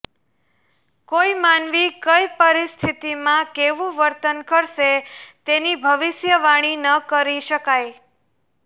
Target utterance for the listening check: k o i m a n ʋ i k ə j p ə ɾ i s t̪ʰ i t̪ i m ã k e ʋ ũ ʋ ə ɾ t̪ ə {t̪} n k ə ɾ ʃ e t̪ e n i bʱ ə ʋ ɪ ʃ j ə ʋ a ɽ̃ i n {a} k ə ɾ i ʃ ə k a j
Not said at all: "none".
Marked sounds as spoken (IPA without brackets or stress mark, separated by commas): none, ə